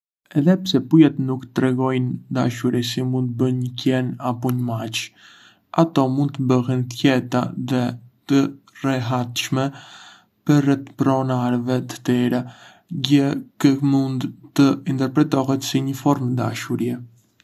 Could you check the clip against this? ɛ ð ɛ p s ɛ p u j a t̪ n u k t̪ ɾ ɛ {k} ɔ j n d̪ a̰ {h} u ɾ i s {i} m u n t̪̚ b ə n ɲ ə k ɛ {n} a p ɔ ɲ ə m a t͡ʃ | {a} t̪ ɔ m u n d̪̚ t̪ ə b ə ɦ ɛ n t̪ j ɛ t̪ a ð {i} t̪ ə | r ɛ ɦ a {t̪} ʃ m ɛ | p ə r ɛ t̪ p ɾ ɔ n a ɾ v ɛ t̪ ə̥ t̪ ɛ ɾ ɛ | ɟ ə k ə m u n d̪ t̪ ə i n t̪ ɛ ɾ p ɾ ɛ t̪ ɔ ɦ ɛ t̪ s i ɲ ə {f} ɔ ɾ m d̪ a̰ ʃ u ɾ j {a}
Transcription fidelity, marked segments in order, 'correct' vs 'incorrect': incorrect, incorrect, correct, correct, correct, incorrect, correct, correct, incorrect

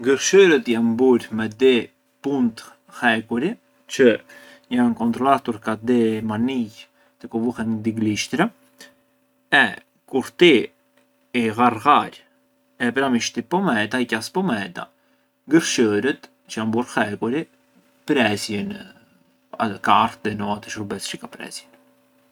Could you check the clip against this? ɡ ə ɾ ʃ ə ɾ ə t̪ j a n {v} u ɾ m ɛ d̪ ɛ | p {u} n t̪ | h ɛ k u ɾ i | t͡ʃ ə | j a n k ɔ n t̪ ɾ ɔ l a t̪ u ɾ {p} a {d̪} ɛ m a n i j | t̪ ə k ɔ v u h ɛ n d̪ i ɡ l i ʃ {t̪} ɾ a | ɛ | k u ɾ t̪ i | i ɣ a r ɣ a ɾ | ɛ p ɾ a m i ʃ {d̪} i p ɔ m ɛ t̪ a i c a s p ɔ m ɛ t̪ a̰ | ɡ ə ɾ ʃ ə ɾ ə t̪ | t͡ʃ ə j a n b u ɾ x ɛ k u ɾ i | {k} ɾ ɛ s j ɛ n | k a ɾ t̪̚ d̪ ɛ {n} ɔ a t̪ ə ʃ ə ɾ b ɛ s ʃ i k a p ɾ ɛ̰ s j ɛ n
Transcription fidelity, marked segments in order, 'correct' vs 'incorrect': incorrect, correct, incorrect, correct, correct, incorrect, incorrect, correct

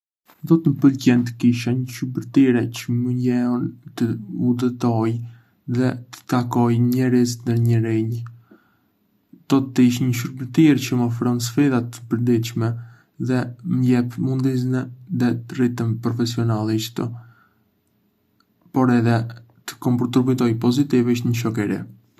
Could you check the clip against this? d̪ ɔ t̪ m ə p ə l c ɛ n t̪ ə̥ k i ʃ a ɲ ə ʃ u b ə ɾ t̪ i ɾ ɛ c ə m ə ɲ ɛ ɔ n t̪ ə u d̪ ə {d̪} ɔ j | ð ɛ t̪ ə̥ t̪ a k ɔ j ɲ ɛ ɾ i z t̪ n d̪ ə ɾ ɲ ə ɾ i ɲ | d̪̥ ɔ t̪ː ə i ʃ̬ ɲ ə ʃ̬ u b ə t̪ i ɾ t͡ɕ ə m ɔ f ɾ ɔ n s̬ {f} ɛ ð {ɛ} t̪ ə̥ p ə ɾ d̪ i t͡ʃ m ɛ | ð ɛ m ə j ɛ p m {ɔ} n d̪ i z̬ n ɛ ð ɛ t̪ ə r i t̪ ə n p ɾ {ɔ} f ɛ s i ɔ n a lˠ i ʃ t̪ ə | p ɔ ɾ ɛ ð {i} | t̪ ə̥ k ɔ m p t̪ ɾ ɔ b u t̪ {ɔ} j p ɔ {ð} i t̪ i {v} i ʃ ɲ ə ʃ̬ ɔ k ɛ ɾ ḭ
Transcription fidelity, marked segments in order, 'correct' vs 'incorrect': incorrect, correct, incorrect, incorrect, correct, incorrect, correct, incorrect, correct

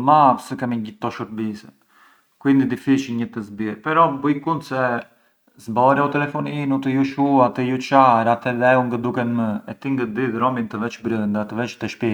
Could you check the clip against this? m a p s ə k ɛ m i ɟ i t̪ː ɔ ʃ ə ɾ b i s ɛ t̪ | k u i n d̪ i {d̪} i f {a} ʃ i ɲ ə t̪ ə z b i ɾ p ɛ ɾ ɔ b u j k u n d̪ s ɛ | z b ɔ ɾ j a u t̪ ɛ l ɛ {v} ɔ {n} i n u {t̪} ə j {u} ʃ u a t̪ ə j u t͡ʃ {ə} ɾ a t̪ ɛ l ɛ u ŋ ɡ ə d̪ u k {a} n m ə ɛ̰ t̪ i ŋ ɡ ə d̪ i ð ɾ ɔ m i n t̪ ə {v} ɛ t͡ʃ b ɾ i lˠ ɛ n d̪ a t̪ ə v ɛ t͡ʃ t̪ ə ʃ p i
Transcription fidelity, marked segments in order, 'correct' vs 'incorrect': correct, incorrect, incorrect, correct, correct, correct, incorrect, incorrect, correct

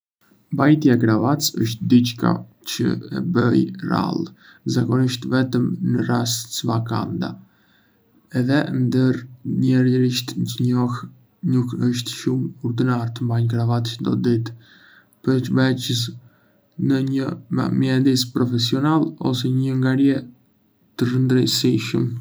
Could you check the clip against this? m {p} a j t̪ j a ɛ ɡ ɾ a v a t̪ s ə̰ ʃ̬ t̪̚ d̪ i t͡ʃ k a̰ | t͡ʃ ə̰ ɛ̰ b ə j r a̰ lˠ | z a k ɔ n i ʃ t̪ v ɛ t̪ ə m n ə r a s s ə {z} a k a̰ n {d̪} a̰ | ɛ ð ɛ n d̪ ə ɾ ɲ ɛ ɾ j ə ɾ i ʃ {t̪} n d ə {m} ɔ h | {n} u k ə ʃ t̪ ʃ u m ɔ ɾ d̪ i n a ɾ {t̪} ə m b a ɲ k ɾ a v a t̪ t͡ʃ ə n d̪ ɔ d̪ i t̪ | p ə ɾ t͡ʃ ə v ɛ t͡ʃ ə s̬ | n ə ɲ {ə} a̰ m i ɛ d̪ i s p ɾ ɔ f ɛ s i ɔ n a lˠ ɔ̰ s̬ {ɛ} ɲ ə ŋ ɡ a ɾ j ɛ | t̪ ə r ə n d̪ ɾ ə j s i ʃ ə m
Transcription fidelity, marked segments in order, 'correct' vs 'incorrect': incorrect, incorrect, correct, correct, incorrect, correct, correct, correct, correct

